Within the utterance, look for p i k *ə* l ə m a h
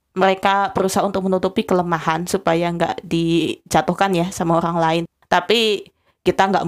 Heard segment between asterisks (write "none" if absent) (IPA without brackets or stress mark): ə